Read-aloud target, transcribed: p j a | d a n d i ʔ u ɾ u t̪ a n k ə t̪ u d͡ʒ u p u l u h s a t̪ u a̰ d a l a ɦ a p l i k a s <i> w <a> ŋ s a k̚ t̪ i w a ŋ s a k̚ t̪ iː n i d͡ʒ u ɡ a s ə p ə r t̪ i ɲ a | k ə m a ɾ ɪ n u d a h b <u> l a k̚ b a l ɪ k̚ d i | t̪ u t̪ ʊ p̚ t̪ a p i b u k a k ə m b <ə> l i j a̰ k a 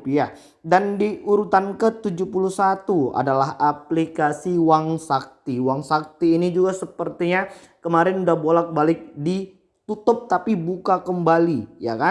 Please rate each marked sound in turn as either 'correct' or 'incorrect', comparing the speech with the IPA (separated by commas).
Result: correct, correct, incorrect, incorrect